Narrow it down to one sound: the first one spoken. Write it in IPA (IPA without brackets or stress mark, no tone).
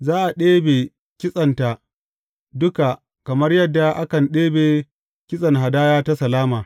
z